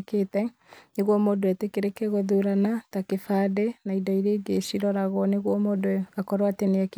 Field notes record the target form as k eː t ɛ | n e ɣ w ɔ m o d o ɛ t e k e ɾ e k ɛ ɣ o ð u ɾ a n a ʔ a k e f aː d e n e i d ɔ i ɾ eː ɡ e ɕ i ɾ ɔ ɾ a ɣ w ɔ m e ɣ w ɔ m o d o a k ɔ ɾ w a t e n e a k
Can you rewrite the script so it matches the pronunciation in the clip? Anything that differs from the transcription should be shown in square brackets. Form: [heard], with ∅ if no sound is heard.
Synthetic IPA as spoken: k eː t ɛ | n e ɣ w ɔ m o d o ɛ t e k e ɾ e k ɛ ɣ o ð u ɾ a n a [t] a k e f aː d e n [a] i d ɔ i ɾ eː ɡ e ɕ i ɾ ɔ ɾ a ɣ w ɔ [n] e ɣ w ɔ m o d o a k ɔ ɾ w a t e n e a k